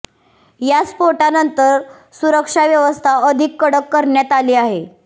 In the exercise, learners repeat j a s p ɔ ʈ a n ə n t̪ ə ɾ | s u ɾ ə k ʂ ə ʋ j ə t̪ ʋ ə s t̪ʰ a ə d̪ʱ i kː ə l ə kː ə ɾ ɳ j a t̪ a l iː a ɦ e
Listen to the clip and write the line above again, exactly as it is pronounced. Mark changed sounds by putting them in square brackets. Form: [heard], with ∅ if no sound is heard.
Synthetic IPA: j a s p [o] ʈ a n ə n t̪ ə ɾ | s u ɾ ə k ʂ [a] ʋ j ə [∅] ʋ ə s t̪ʰ a ə d̪ʱ i kː ə [ɽ] ə kː ə ɾ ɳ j a t̪ a l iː a ɦ e